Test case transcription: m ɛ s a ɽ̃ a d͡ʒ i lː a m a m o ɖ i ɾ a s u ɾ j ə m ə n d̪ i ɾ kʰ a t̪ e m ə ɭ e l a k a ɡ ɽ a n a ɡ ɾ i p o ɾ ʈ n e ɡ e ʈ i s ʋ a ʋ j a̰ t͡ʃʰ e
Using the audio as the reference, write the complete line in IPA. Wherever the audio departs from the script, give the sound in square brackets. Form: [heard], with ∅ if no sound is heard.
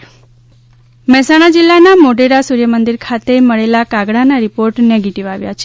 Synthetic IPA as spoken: m ɛ s a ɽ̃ a d͡ʒ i lː a [n] a m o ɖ [e] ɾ a s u ɾ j ə m ə n d̪ i ɾ kʰ a t̪ e m ə ɭ e l a k a ɡ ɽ a n a [∅] ɾ i p o ɾ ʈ n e ɡ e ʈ i [∅] ʋ a ʋ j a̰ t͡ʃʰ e